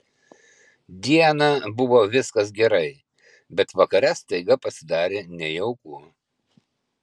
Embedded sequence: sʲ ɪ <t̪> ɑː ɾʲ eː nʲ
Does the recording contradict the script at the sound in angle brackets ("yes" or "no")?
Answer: yes